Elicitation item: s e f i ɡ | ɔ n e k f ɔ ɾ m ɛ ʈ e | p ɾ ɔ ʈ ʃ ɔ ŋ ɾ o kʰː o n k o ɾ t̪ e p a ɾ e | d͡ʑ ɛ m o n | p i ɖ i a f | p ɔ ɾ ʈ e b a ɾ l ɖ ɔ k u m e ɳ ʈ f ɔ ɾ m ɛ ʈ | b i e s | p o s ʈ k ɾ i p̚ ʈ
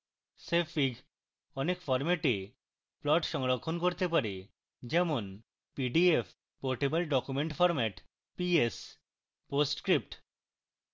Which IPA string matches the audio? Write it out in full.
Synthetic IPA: s e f i ɡ | ɔ n e k f ɔ ɾ m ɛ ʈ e | p l ɔ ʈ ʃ ɔ ŋ ɾ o kʰː o n k o ɾ t̪ e p a ɾ e | d͡ʑ ɛ m o n | p i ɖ i e f | p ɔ ɾ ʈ e b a l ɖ ɔ k u m e ɳ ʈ f ɔ ɾ m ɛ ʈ | p i e s | p o s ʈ k ɾ i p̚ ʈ